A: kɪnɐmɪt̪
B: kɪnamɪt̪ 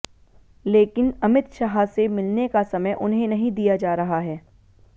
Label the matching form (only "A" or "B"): A